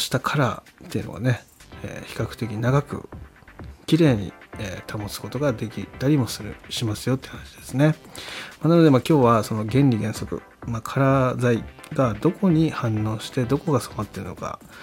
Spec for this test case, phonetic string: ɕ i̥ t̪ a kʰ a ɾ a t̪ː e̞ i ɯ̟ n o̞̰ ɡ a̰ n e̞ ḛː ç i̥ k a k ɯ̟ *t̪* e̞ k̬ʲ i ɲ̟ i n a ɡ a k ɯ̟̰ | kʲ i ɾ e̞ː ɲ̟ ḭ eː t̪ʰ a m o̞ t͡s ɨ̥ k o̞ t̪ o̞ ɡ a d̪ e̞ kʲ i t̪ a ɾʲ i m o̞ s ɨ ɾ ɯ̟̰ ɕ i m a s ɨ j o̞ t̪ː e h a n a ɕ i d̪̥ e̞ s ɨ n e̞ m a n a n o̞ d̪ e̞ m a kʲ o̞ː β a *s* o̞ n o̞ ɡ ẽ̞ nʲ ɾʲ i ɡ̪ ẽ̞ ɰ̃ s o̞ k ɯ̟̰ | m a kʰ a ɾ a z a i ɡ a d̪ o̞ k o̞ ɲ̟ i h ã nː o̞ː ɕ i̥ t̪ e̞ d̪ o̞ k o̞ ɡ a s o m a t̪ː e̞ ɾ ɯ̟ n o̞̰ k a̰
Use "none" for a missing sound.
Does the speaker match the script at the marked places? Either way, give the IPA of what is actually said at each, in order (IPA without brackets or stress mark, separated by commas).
t̪, s